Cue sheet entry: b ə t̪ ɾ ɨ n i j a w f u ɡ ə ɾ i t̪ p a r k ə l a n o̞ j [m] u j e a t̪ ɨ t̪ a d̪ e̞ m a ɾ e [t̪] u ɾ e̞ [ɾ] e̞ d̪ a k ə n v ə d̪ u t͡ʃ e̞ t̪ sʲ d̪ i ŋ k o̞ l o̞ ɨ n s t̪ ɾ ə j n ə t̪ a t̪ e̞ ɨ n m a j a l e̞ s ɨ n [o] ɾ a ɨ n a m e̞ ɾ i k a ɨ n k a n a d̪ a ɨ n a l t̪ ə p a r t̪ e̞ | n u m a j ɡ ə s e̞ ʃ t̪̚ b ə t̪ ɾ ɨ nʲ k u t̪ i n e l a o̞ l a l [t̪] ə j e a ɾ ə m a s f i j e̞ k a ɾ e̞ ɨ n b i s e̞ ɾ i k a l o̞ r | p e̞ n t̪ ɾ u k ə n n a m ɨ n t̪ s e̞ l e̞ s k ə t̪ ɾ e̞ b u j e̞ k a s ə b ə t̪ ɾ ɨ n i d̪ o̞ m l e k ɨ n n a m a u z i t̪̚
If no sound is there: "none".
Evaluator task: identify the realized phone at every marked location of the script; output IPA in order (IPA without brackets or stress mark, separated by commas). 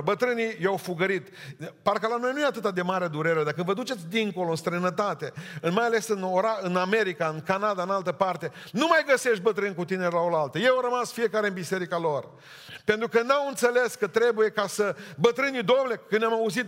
n, d̪, ɾ, o, t̪